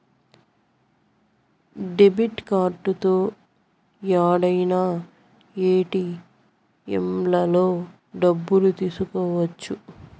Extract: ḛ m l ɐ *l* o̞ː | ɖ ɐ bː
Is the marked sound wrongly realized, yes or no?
no